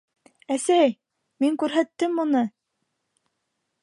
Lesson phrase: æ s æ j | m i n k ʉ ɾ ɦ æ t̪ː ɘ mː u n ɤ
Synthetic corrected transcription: æ s æ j | m i ŋ k ʉ ɾ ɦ æ t̪ː ɘ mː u n ɤ